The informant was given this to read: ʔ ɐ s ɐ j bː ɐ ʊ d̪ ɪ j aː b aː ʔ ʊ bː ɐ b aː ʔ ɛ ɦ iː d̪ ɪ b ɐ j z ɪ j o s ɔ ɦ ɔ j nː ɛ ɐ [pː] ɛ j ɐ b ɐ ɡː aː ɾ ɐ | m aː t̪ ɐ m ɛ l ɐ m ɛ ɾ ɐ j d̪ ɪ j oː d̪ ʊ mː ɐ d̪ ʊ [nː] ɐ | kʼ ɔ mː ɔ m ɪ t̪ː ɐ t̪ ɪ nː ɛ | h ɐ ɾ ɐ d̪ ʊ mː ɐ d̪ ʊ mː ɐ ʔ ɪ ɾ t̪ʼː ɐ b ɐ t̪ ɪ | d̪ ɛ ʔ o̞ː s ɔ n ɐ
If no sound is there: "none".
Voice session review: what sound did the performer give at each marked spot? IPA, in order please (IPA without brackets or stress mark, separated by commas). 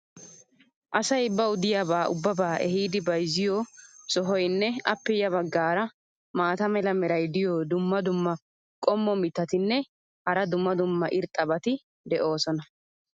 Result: pː, mː